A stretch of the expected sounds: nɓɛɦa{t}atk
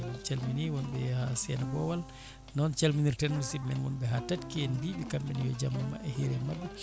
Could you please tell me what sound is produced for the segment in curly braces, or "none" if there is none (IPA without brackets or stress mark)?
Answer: t